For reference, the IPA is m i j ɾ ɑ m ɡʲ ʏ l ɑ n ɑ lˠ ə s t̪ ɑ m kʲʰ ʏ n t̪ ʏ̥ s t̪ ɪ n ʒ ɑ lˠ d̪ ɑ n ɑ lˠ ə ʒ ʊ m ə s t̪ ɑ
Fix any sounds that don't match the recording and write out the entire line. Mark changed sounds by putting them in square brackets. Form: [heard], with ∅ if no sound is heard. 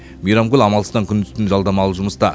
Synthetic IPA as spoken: m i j ɾ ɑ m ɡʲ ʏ l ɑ [m] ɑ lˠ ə s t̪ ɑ [ŋ] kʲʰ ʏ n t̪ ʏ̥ s t̪ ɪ n ʒ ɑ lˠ d̪ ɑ [m] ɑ lˠ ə ʒ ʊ m ə s t̪ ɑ